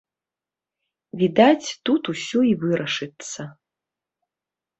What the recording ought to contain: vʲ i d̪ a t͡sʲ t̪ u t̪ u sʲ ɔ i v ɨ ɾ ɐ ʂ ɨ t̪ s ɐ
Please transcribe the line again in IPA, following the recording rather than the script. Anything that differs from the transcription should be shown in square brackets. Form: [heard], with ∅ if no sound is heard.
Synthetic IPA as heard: vʲ i d̪ a t͡sʲ t̪ u t̪ u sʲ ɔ i v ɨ ɾ ɐ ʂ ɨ t̪ s ɐ